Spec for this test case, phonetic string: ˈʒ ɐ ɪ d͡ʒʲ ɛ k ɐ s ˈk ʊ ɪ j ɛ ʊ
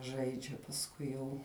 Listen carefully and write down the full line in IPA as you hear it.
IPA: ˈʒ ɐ ɪ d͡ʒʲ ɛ p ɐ s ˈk ʊ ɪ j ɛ ʊ